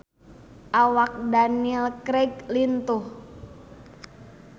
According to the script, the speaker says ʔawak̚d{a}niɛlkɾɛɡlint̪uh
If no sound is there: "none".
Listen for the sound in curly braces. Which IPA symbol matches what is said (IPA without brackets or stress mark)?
a